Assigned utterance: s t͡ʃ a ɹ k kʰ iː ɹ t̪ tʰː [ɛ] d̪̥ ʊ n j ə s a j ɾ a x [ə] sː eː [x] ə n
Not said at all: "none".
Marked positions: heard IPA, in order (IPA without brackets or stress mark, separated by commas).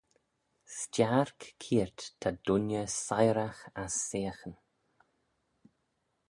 a, a, x